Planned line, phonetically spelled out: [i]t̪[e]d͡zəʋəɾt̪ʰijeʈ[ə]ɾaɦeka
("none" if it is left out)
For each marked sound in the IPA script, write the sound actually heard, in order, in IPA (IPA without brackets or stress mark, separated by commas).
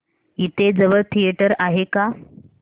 i, e, ə